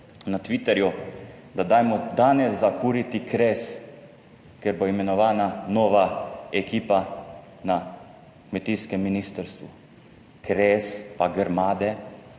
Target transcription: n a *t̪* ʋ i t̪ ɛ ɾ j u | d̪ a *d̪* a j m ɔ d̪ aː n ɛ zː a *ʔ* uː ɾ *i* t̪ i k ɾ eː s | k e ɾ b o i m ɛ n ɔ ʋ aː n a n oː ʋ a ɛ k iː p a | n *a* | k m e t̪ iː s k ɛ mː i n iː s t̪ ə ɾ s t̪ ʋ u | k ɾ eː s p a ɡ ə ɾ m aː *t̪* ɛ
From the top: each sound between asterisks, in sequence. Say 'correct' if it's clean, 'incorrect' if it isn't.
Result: correct, correct, incorrect: k, correct, correct, incorrect: d̪

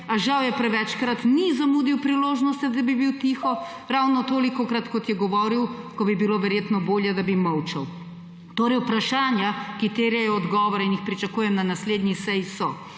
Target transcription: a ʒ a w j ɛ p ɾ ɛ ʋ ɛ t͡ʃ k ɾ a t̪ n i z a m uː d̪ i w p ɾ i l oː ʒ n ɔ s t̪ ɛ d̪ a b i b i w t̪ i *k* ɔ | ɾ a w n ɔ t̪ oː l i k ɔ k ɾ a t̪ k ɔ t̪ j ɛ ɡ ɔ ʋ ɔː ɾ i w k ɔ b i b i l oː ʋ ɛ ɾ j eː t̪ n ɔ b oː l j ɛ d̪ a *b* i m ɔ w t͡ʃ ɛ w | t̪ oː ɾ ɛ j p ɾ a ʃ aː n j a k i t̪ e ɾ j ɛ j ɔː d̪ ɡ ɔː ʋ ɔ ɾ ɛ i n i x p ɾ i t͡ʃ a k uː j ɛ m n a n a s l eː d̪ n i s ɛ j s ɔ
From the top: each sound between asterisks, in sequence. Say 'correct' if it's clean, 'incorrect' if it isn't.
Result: incorrect: x, correct

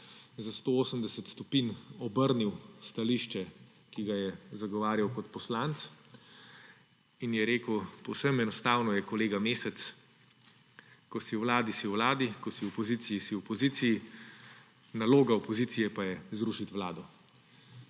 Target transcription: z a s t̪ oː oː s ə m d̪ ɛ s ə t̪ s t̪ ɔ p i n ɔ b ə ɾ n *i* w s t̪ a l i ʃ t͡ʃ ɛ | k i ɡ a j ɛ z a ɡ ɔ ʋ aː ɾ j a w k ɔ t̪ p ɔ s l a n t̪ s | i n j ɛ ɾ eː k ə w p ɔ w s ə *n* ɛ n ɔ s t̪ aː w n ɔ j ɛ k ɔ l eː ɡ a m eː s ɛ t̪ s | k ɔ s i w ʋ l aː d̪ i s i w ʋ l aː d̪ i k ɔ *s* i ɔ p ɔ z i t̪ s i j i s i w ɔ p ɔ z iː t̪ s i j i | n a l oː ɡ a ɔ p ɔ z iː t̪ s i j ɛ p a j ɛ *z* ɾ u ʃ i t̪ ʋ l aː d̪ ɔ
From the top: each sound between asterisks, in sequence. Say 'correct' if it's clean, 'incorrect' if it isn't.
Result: correct, incorrect: m, correct, correct

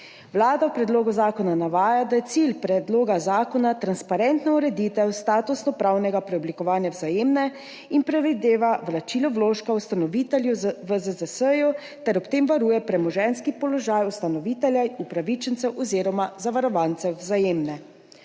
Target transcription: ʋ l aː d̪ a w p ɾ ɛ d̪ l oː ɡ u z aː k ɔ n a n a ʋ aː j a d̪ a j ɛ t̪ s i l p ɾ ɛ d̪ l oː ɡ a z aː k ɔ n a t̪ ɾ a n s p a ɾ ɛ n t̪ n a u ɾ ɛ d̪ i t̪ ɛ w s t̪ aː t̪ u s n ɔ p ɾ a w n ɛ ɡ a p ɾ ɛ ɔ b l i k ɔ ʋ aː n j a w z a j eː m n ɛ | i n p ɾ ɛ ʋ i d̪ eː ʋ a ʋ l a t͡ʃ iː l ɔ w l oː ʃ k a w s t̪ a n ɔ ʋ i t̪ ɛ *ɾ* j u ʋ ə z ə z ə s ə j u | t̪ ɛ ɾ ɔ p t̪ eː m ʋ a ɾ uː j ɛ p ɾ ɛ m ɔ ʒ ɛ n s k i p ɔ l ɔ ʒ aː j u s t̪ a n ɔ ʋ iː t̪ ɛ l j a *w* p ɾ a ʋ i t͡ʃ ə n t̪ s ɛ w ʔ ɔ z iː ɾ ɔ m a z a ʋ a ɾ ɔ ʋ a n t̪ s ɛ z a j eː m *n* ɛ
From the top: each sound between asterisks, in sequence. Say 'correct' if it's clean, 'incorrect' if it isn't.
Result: incorrect: l, incorrect: u, correct

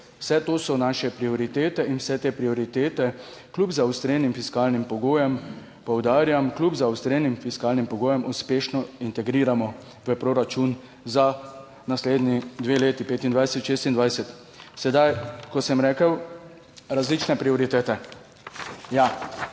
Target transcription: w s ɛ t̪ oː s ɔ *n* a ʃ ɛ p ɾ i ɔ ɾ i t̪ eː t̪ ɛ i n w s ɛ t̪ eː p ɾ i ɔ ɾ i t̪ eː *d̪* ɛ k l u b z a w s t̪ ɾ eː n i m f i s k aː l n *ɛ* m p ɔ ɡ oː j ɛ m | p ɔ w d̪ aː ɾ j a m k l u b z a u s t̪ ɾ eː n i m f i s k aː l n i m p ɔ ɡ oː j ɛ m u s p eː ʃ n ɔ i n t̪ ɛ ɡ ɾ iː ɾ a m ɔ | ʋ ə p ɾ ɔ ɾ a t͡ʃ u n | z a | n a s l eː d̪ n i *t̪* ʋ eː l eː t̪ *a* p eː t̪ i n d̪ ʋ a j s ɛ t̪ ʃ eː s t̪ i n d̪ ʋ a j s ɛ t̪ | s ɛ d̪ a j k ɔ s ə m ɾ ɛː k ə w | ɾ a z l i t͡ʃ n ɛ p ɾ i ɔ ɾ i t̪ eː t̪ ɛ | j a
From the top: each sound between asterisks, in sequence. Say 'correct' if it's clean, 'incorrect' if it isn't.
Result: correct, incorrect: t̪, incorrect: i, incorrect: d̪, incorrect: i

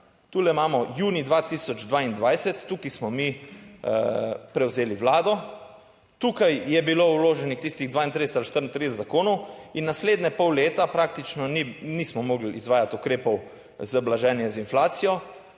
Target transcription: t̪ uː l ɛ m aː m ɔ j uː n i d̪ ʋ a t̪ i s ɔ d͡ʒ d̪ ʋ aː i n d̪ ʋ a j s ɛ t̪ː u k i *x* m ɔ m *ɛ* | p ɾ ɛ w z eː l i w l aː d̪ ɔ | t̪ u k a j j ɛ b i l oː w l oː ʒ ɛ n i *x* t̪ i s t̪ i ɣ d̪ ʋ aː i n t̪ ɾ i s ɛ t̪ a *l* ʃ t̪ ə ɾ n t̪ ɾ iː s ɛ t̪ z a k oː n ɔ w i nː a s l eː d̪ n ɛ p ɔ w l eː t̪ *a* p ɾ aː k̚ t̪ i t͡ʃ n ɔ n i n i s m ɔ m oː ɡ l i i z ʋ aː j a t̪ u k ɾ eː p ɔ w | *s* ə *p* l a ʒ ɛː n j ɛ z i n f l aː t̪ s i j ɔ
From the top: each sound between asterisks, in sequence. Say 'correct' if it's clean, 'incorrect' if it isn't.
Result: incorrect: s, incorrect: i, correct, correct, correct, incorrect: z, incorrect: b

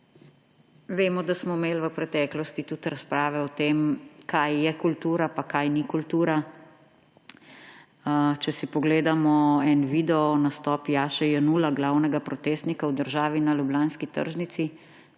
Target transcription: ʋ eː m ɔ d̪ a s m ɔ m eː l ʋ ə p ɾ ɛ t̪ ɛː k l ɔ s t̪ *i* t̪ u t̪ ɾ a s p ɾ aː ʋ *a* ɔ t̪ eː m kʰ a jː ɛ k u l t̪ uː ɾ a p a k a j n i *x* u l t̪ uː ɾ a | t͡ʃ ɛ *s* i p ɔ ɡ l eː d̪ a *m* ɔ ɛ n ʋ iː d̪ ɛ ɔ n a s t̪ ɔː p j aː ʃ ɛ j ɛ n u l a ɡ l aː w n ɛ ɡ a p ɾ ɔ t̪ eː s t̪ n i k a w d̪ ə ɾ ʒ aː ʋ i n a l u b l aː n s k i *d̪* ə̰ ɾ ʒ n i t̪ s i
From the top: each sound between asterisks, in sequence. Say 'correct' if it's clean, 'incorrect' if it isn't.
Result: correct, incorrect: ɛ, incorrect: k, correct, correct, incorrect: t̪

